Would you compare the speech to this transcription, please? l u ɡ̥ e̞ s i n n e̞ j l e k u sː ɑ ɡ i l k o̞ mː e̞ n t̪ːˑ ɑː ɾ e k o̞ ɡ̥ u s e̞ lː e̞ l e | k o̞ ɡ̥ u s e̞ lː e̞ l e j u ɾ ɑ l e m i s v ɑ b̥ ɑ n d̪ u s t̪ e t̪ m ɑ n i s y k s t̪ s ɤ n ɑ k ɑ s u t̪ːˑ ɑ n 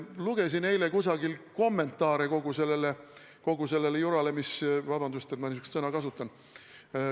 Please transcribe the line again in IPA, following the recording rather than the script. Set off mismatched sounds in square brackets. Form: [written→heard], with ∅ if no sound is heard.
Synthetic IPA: l u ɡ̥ e̞ s i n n e̞ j l e k u [sː→s] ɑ ɡ i l k o̞ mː e̞ n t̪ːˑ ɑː ɾ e k o̞ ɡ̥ u s e̞ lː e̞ l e | k o̞ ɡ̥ u s e̞ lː e̞ l e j u ɾ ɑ l e m i s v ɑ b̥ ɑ n d̪ u s t̪ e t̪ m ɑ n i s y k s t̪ s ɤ n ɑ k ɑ s u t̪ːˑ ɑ n

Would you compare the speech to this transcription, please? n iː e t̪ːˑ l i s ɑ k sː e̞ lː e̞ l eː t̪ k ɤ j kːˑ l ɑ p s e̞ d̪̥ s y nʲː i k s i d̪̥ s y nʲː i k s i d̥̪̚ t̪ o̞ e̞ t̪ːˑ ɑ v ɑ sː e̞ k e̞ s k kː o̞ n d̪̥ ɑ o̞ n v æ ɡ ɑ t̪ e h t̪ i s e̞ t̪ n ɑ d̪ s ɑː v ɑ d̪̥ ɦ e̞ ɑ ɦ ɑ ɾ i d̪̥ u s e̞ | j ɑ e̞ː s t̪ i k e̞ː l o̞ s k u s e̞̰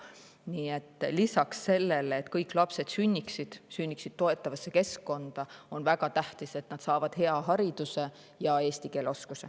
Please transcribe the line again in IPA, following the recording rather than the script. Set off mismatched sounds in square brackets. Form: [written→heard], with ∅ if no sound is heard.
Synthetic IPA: n iː e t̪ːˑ l i s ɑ k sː e̞ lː e̞ l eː t̪ k ɤ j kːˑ l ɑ p s e̞ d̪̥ s y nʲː i k s i d̪̥ s y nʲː i k s i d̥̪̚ t̪ o̞ e̞ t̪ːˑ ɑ v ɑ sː e̞ k e̞ s k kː o̞ n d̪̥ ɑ o̞ n v æ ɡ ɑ t̪ [e→æ] h t̪ i s e̞ t̪ n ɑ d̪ s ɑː v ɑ d̪̥ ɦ e̞ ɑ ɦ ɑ ɾ i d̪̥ u s e̞ | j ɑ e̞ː s t̪ i k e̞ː l o̞ s k u s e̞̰

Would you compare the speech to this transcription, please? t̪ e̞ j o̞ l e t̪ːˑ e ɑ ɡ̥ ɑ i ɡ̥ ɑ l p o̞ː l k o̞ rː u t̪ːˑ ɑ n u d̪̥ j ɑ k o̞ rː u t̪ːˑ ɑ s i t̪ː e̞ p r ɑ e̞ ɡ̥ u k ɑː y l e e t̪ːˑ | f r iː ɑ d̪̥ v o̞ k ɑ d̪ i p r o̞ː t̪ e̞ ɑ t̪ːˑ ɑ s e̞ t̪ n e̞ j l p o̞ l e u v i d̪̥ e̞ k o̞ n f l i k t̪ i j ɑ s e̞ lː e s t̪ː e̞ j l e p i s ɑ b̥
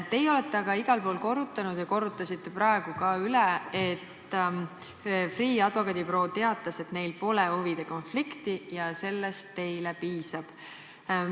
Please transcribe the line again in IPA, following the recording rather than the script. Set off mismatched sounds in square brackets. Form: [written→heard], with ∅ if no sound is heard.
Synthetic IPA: t̪ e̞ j o̞ l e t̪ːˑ e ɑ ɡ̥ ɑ i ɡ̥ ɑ l p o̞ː l k o̞ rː u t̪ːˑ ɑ n u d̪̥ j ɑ k o̞ rː u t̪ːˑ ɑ s i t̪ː e̞ p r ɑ e̞ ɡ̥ u k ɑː y l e e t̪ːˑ | f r iː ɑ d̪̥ v o̞ k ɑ d̪ i p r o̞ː t̪ e̞ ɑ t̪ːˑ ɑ s e̞ t̪ n e̞ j l p o̞ l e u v i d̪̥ e̞ k o̞ n f l i k t̪ i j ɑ s e̞ lː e s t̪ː e̞ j l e p [i→iː] s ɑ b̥

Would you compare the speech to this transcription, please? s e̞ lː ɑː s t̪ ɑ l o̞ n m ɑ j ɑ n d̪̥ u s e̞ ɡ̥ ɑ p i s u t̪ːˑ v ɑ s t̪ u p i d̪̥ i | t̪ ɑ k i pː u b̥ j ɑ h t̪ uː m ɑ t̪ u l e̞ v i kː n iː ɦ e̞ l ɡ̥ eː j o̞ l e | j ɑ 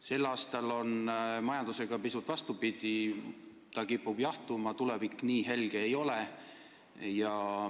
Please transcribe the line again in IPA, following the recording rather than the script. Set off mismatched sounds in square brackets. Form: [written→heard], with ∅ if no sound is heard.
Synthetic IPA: s e̞ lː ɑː s t̪ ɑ l o̞ n m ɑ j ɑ n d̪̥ u s e̞ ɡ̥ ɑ p i s u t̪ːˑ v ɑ s t̪ u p i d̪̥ i | t̪ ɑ k i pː u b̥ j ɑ h t̪ [uː→u] m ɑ t̪ u l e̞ v i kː n iː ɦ e̞ l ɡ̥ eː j o̞ l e | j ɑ

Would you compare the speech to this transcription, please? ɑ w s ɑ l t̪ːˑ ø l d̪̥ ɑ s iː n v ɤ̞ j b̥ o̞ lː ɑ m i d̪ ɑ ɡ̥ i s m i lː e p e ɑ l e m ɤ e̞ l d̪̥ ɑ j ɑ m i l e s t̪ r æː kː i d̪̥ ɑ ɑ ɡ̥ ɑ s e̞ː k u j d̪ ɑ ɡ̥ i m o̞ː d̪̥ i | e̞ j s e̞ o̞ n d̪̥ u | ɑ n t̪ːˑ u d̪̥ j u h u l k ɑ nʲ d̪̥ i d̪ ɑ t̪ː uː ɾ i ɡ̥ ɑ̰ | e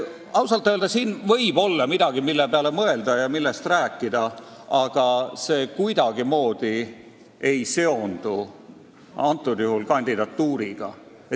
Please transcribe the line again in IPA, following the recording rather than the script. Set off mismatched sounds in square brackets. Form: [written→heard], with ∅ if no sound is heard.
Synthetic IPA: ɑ w s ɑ l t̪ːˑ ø l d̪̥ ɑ s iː n v ɤ̞ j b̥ o̞ lː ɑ m i d̪ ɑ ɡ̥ i [s→∅] m i lː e p e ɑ l e m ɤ e̞ l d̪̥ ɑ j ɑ m i [l→lː] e s t̪ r æː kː i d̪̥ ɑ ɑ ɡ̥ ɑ s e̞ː k u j d̪ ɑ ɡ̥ i m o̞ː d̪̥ i | e̞ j s e̞ o̞ n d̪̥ u | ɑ n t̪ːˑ u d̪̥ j u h u l k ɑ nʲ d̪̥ i d̪ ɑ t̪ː uː ɾ i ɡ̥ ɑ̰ | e

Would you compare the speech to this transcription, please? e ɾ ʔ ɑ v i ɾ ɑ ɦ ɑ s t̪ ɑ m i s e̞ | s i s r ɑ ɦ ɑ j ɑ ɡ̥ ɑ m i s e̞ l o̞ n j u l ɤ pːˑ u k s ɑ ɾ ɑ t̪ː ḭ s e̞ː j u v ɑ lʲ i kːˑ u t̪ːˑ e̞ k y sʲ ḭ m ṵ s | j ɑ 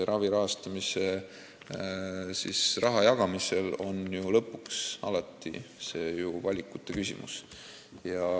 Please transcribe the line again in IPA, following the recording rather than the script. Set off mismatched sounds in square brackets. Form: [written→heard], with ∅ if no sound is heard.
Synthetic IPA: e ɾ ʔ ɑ v i ɾ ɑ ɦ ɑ s t̪ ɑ m i s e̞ | s i s r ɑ ɦ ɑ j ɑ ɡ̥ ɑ m i s e̞ l o̞ n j u l ɤ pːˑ u k s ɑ [ɾ→l] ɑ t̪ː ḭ s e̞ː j u v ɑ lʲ i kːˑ u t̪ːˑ e̞ k y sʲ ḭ m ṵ s | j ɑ

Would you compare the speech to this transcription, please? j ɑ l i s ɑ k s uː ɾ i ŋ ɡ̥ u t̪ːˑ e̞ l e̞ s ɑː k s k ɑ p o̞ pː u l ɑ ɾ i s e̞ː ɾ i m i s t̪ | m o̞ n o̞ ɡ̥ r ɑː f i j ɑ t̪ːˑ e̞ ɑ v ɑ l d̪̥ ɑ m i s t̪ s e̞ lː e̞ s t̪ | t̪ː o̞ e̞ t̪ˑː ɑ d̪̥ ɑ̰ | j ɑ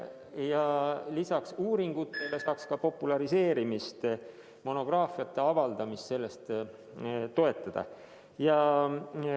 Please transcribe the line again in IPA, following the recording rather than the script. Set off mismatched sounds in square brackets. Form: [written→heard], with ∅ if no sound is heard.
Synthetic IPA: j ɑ l i s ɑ k s uː ɾ i ŋ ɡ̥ u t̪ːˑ e̞ l e̞ s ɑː k s k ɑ p o̞ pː u l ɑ ɾ i s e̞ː ɾ i m i s t̪ | m o̞ n o̞ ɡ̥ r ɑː f i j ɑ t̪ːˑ e̞ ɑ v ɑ l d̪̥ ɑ m i s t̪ s e̞ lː e̞ s t̪ | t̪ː o̞ e̞ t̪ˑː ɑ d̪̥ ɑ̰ | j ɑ

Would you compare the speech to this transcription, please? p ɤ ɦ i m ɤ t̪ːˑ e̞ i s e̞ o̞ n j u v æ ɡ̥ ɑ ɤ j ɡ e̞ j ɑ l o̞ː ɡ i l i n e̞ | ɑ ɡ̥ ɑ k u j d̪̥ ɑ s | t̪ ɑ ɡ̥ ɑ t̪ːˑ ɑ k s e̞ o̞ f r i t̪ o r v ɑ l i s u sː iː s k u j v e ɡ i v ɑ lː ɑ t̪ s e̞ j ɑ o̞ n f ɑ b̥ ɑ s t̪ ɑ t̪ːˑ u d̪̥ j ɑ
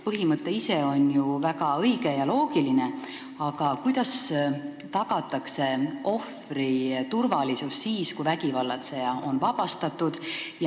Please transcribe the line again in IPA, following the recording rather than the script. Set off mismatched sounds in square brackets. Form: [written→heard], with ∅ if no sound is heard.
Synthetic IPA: p ɤ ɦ i m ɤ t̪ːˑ e̞ i s e̞ o̞ n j u v æ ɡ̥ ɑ ɤ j ɡ e̞ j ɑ l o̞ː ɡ i l i n e̞ | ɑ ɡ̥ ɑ k u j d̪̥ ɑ s | t̪ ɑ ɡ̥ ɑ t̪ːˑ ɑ k s e̞ o̞ f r i t̪ [o→u] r v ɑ l i s u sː iː s k u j v [e→æ] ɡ i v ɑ lː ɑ t̪ s e̞ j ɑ o̞ n [f→v] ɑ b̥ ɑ s t̪ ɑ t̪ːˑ u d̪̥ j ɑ

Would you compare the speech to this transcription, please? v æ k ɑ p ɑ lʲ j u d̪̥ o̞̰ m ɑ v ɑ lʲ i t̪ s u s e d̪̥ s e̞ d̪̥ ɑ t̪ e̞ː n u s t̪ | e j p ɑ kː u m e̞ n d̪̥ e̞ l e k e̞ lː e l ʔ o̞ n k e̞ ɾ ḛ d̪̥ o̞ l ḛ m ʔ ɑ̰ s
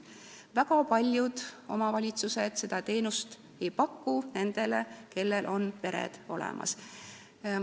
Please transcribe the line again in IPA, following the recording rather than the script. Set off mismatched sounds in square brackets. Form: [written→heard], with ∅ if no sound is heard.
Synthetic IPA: v æ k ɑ p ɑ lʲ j u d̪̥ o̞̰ m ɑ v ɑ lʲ i t̪ s u s e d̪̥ s e̞ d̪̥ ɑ t̪ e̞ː n u s t̪ | e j p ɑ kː u [m→n] e̞ n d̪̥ e̞ l e k e̞ lː e l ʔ o̞ n [k→p] e̞ ɾ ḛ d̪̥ o̞ l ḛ m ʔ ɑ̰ s

